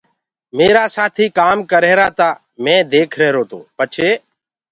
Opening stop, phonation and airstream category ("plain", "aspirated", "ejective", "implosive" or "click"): aspirated